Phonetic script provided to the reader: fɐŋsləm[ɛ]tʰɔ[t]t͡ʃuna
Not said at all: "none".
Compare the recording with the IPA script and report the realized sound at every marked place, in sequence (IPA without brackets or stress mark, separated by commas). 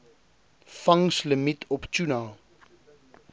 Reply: i, p